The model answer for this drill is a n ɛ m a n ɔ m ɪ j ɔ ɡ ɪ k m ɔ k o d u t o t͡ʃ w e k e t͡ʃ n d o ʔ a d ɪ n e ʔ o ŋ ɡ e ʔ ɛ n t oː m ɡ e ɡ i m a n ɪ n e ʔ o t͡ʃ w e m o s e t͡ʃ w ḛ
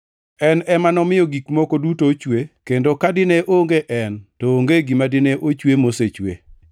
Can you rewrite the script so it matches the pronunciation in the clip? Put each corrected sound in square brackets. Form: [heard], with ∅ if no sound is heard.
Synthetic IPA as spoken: [ɛ] n ɛ m a n ɔ m ɪ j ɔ ɡ [i] k m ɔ k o d u t o t͡ʃ w e k e [∅] n d o [k] a d ɪ n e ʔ o ŋ ɡ e ʔ ɛ n t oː [ŋ] ɡ e ɡ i m a [d] ɪ n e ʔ o t͡ʃ w e m o s e t͡ʃ w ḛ